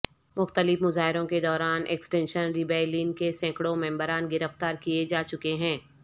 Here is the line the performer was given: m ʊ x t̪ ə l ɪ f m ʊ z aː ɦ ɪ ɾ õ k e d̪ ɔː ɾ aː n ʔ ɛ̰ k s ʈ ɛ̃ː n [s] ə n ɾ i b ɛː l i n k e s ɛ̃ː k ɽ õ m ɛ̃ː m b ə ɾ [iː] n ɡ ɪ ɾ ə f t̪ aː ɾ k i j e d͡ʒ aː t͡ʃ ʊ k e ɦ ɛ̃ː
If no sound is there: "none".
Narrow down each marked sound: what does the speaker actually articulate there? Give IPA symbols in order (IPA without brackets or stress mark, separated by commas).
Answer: ʃ, aː